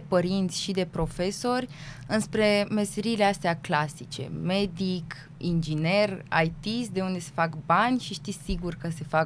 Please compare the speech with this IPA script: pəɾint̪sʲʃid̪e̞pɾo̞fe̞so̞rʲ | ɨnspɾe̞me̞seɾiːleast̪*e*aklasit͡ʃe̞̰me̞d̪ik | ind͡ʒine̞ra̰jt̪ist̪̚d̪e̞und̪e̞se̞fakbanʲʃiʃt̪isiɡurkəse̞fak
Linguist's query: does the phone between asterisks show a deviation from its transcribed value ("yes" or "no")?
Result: no